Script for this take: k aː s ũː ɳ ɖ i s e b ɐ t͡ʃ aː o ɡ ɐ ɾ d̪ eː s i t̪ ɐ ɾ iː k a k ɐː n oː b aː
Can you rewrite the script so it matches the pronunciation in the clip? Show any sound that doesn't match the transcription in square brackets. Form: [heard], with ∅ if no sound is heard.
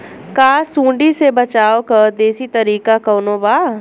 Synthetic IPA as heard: k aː s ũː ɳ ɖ i s e b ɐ t͡ʃ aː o [k] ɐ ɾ d̪ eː s i t̪ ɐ ɾ iː k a k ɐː n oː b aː